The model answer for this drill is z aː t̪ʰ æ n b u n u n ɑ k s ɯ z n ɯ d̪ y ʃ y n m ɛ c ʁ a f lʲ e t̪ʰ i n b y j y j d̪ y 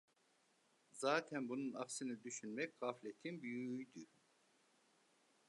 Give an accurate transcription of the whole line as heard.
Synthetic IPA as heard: z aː t̪ʰ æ n b u n u n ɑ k s ɯ n ɯ d̪ y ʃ y n m ɛ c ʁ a f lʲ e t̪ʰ i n b y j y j d̪ y